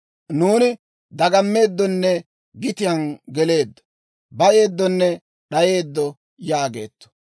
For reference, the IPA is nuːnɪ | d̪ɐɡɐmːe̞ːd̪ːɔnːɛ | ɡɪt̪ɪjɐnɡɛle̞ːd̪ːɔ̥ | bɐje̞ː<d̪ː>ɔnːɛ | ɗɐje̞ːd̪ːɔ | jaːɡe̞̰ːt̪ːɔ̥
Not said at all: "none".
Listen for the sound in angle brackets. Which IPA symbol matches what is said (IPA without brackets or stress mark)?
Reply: d̪ː